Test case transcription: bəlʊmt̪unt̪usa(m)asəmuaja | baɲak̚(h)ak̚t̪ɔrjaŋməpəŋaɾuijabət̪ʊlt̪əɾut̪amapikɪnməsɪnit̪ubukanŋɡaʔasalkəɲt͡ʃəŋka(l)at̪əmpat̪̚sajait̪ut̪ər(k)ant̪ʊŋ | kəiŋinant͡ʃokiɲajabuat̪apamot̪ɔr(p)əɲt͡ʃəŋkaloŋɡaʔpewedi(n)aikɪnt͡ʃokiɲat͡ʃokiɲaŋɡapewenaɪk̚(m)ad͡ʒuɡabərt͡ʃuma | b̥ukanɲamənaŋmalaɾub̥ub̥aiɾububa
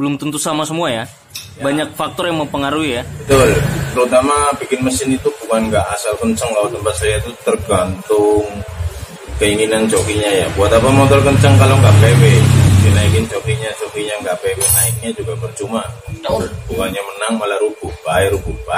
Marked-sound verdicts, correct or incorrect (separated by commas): correct, incorrect, correct, incorrect, incorrect, correct, incorrect